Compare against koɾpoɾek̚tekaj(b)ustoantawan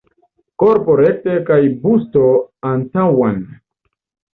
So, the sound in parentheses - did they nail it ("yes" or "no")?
yes